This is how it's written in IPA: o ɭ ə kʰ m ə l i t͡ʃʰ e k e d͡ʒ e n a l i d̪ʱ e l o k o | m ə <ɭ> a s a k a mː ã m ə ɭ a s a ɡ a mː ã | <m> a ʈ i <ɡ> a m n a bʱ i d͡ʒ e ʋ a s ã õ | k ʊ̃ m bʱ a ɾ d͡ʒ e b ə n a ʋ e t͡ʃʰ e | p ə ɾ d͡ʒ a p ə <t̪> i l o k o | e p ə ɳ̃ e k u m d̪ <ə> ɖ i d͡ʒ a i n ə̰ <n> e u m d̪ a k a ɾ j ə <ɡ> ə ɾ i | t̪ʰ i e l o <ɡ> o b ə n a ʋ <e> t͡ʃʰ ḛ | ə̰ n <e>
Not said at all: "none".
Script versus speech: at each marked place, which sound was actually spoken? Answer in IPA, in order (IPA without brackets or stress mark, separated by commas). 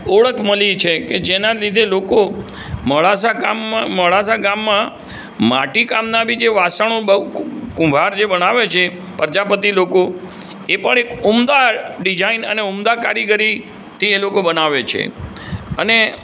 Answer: ɭ, m, k, t̪, a, n, ɡ, k, e, e